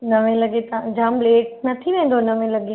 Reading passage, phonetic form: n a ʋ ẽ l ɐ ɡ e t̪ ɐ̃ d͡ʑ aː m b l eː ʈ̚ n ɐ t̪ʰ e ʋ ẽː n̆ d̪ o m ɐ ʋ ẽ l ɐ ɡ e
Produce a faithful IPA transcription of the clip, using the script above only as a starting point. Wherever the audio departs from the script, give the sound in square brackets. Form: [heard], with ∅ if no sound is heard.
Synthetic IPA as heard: n [ɐ] ʋ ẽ l ɐ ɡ e t̪ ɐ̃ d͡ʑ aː m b l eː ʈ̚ n ɐ t̪ʰ [i] ʋ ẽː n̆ d̪ o [n] ɐ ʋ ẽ l ɐ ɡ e